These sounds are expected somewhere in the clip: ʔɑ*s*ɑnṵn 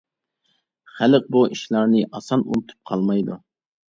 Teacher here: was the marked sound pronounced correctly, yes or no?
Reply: yes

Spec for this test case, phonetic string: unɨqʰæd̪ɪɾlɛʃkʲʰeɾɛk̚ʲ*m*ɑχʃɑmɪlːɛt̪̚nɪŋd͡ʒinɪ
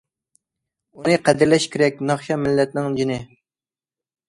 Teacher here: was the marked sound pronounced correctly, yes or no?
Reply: no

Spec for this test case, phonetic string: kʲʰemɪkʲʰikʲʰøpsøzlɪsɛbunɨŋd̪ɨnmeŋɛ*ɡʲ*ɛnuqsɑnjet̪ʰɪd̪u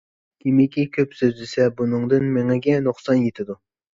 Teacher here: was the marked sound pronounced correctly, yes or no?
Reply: yes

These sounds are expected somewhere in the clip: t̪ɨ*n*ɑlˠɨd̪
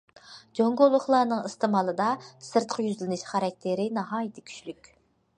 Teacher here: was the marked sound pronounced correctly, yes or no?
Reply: no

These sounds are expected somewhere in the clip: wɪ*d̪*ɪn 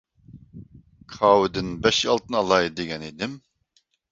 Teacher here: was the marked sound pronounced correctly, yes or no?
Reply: yes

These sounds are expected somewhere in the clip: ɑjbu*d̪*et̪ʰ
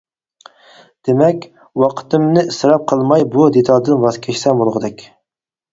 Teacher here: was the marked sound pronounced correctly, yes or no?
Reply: yes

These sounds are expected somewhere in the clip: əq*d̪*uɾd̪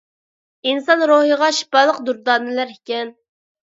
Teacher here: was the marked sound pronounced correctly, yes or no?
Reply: yes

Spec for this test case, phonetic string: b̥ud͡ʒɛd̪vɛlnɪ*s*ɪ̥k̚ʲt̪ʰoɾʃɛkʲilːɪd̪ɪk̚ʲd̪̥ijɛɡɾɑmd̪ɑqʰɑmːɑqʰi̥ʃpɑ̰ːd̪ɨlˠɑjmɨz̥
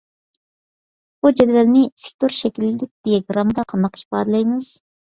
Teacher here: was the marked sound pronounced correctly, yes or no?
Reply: yes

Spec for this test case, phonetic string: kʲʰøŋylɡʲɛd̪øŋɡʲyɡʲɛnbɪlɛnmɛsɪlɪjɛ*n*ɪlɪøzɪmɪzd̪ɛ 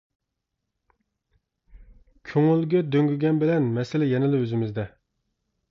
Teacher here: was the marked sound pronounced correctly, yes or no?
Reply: yes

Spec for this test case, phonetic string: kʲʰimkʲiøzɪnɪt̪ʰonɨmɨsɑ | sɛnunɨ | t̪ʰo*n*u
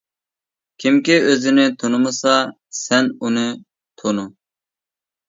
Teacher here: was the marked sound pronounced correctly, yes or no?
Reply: yes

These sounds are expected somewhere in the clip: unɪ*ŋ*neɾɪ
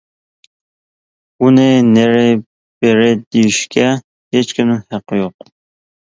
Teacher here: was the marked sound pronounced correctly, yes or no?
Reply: no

